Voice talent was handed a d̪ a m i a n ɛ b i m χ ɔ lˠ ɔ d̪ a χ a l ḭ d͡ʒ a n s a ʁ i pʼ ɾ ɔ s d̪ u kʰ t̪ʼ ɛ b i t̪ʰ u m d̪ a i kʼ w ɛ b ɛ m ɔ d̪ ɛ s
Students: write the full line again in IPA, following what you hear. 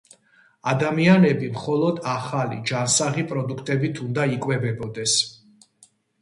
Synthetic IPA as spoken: a d̪ a m i a n ɛ b i m χ ɔ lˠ ɔ d̪ a χ a l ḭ d͡ʒ a n s a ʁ i pʼ ɾ ɔ d̪ u kʰ t̪ʼ ɛ b i t̪ʰ u n d̪ a i kʼ w ɛ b ɛ b ɔ d̪ ɛ s